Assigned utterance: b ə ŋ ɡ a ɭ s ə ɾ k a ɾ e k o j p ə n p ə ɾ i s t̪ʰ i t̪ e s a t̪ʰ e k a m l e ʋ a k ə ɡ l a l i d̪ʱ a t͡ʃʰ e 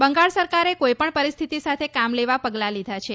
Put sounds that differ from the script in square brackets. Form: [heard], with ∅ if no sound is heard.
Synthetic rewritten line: b ə ŋ ɡ a ɭ s ə ɾ k a ɾ e k o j p ə [ɳ] p ə ɾ i s t̪ʰ i t̪ [i] s a t̪ʰ e k a m l e ʋ a [p] ə ɡ l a l i d̪ʱ a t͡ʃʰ e